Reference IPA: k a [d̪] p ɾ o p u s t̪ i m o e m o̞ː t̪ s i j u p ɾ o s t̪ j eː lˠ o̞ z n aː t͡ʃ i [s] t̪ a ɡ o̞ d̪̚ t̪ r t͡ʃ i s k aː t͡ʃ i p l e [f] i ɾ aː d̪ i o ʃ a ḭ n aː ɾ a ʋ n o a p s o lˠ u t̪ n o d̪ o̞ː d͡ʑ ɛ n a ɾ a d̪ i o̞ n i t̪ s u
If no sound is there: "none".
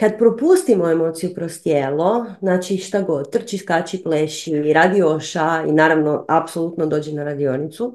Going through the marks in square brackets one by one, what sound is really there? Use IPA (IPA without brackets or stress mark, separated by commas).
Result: d̪, ʃ, ʃ